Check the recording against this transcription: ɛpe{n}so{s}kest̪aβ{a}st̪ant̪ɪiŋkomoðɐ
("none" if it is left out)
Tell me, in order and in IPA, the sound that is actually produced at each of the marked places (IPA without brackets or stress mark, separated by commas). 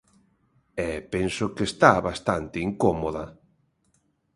n, none, a